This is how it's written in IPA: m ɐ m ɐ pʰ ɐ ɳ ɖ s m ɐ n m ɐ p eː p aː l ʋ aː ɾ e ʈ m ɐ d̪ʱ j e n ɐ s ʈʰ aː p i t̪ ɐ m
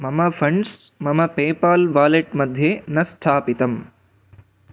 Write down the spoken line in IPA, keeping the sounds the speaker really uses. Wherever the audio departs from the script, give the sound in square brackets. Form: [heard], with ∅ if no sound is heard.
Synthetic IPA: m ɐ m ɐ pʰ ɐ ɳ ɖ s m ɐ [∅] m ɐ p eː p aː l ʋ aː [l] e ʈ m ɐ d̪ʱ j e n ɐ s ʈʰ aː p i t̪ ɐ m